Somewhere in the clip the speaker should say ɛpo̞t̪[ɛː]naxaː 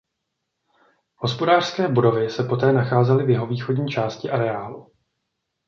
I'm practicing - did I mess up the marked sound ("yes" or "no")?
no